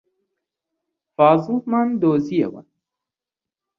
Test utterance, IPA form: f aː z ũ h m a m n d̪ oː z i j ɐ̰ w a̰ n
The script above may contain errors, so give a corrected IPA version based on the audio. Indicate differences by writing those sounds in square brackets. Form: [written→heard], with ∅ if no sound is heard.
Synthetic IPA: f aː z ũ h m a [m→∅] n d̪ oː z i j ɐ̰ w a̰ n